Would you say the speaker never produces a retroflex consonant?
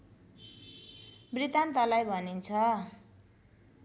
yes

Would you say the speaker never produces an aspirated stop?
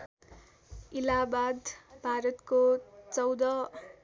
yes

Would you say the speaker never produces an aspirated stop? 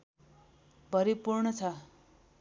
no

